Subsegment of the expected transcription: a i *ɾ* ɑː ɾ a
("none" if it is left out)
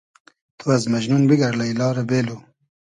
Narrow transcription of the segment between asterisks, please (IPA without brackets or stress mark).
l